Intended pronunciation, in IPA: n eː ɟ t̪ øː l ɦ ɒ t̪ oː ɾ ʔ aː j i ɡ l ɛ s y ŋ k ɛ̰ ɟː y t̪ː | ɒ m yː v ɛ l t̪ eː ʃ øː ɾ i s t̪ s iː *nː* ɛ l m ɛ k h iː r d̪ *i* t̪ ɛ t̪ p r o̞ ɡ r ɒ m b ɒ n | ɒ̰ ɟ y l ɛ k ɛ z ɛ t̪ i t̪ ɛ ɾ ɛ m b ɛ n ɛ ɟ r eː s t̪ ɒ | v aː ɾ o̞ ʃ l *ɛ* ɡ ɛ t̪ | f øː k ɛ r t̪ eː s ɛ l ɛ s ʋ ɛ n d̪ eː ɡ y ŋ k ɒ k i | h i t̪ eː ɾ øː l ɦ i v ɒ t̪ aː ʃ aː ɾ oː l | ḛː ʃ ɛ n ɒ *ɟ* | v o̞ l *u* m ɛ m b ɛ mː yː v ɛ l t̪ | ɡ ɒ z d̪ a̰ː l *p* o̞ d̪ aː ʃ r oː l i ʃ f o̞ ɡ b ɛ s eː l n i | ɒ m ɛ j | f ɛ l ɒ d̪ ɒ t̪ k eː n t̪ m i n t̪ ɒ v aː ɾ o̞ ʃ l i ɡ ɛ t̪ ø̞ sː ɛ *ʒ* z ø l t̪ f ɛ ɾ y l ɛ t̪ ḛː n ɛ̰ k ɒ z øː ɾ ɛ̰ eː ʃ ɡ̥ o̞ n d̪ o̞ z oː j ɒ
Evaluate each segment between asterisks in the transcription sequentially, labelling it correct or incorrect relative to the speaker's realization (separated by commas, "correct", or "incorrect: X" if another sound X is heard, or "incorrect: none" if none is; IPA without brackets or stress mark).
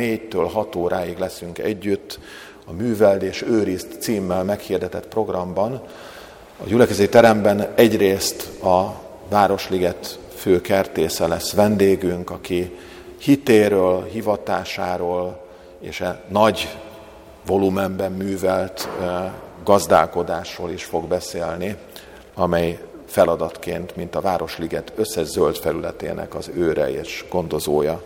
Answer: incorrect: mː, incorrect: ɛ, incorrect: i, correct, correct, incorrect: k, correct